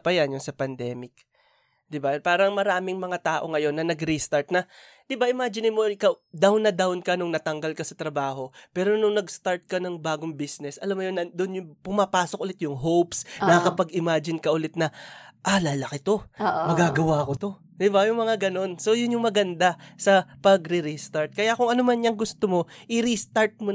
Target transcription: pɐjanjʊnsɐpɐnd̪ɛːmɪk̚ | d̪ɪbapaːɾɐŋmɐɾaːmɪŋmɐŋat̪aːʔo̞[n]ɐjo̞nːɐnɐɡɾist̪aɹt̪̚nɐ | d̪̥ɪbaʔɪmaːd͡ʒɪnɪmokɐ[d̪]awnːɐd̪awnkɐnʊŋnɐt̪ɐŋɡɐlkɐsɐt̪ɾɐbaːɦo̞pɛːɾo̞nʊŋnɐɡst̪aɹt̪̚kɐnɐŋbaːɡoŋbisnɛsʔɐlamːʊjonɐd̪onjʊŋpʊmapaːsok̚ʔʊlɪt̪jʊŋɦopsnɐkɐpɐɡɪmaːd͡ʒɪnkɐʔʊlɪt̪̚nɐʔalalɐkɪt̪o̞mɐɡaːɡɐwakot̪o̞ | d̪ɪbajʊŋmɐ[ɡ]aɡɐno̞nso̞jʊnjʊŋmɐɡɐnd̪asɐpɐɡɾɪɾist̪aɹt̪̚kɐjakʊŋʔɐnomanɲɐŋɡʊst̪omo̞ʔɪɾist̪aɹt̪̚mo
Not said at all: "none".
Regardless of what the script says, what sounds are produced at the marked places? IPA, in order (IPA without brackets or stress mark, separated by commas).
ŋ, d̪, ŋ